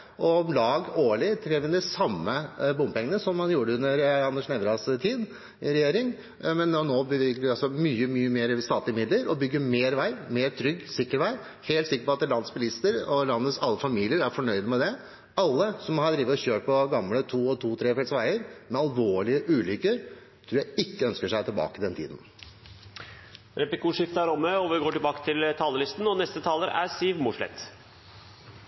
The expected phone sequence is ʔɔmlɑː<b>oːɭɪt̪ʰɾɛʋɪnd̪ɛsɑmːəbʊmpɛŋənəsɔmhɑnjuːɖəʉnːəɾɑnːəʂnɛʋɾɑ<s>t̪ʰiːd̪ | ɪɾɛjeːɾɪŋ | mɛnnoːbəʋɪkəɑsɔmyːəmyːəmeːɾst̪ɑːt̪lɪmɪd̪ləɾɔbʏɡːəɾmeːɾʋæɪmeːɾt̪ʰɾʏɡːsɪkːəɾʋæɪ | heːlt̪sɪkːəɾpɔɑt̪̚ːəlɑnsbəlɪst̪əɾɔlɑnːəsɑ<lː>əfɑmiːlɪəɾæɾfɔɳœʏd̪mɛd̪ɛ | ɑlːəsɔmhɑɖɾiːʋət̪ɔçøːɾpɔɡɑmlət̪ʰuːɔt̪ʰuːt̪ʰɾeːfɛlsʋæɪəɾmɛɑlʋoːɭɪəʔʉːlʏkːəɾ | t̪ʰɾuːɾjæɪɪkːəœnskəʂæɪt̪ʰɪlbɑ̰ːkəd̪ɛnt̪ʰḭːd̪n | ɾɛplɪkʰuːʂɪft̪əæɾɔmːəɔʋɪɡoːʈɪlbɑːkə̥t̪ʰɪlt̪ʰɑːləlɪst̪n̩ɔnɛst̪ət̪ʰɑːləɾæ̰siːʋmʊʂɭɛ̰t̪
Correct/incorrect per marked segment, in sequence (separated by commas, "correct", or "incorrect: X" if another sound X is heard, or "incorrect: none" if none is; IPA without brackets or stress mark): incorrect: ɡ, correct, correct